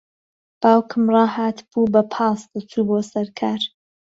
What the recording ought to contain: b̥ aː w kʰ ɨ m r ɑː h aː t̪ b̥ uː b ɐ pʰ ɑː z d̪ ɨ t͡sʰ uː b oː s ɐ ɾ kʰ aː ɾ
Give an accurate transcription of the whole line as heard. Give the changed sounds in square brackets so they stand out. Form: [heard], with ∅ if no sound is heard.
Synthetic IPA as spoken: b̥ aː w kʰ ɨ m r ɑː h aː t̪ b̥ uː b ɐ pʰ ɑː [s] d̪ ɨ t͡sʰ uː b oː s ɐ ɾ kʰ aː ɾ